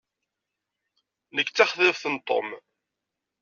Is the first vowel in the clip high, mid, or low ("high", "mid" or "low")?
mid